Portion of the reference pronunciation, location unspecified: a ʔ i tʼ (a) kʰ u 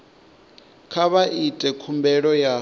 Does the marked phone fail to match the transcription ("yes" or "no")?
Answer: yes